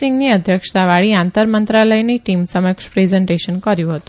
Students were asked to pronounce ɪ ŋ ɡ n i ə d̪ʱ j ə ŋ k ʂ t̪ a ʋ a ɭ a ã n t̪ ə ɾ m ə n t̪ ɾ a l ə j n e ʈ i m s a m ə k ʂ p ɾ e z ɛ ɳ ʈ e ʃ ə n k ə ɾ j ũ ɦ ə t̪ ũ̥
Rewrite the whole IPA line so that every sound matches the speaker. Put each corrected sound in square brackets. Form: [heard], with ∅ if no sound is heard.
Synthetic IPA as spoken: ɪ ŋ ɡ n i ə d̪ʱ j ə [∅] k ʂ t̪ a ʋ a ɭ [i] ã n t̪ ə ɾ m ə n t̪ ɾ a l ə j n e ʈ i m s [ə] m ə k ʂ p ɾ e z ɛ ɳ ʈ e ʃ ə n k ə ɾ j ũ ɦ ə t̪ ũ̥